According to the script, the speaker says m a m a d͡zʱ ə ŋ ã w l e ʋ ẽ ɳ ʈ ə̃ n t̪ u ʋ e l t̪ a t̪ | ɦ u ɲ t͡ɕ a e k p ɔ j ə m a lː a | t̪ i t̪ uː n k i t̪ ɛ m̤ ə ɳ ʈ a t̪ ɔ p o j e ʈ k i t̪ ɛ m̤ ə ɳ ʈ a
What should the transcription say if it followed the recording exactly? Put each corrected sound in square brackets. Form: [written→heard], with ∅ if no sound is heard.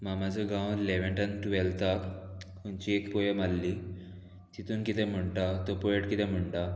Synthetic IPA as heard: m a m a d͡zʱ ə [ŋ→ɡ] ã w l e ʋ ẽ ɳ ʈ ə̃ n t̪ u ʋ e l t̪ a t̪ | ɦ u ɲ t͡ɕ [a→i] e k p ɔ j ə m a lː [a→i] | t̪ i t̪ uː n k i t̪ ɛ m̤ ə ɳ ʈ a t̪ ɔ p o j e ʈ k i t̪ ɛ m̤ ə ɳ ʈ a